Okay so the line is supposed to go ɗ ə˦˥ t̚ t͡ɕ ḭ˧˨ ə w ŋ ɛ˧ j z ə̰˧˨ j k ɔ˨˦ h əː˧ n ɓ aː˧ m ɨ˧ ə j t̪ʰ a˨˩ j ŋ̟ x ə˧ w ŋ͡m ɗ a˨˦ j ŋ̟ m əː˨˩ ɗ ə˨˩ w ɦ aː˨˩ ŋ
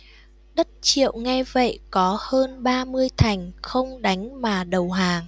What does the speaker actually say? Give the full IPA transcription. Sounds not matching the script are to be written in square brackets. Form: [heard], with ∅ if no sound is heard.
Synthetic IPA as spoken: ɗ ə˦˥ t̚ t͡ɕ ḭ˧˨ ə w ŋ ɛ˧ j [v] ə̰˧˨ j k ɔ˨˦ h əː˧ n ɓ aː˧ m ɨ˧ ə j t̪ʰ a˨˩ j ŋ̟ x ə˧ w ŋ͡m ɗ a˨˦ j ŋ̟ m [aː˨˩] ɗ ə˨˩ w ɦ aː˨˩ ŋ